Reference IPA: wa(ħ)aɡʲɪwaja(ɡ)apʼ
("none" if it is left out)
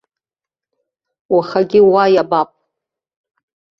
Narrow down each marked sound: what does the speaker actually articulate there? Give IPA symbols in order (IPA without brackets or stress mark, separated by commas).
χ, b